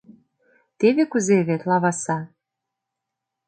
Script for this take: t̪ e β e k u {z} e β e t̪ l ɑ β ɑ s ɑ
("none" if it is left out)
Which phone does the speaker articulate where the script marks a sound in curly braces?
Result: z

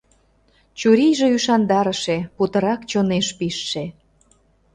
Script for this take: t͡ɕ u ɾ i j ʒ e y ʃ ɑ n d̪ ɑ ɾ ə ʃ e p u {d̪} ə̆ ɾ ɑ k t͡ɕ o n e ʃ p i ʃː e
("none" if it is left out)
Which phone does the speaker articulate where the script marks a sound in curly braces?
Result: t̪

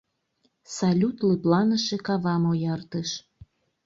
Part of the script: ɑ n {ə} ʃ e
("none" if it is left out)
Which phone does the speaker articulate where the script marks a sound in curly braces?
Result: ə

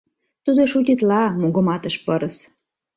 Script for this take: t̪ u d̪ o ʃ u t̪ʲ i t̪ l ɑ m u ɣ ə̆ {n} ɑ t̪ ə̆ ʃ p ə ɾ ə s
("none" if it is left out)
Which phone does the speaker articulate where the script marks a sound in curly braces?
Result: m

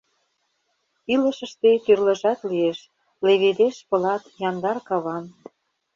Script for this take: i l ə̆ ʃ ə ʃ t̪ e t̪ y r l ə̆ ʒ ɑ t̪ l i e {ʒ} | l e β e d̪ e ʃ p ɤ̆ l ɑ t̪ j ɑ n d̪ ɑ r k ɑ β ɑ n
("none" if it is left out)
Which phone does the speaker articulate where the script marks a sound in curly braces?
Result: ʃ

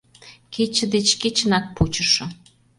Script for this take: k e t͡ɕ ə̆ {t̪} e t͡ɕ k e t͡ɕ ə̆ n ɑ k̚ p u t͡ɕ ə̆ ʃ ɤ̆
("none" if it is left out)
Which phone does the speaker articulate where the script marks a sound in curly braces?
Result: d̪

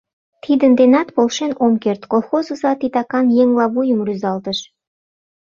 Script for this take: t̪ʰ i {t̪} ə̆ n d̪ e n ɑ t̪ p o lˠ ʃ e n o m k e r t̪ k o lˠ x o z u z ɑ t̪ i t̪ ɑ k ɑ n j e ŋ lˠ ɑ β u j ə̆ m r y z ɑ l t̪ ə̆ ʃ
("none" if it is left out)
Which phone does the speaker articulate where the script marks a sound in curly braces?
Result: d̪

